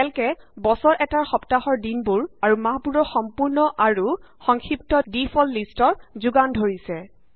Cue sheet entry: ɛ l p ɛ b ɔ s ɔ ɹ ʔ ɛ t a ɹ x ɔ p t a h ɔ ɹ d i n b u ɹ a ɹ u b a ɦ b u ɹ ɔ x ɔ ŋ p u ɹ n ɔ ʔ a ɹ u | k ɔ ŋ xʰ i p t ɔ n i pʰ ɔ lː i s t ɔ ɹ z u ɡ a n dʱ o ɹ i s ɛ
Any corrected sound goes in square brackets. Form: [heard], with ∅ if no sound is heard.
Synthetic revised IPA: ɛ l [k] ɛ b ɔ s ɔ ɹ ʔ ɛ t a ɹ x ɔ p t a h ɔ ɹ d i n b u ɹ a ɹ u [m] a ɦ b u ɹ ɔ x ɔ [m] p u ɹ n ɔ ʔ a ɹ u | [x] ɔ ŋ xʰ i p t ɔ [d] i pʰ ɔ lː i s t ɔ ɹ z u ɡ a n dʱ o ɹ i s ɛ